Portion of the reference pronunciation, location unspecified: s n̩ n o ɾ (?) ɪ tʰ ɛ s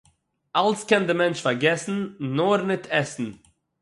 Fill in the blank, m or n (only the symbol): n